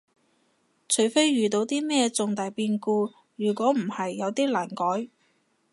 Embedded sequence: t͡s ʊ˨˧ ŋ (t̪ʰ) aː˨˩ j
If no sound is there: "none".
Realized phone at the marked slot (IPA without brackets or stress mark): t̪